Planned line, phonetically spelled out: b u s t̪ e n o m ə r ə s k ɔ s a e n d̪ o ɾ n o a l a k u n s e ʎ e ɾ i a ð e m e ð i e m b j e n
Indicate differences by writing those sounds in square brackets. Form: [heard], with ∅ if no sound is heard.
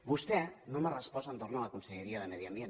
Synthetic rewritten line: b u s t̪ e n o m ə r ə s [p] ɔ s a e n [t̪] o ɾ n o a l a k u n s e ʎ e ɾ i a ð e m e ð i [a] m b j e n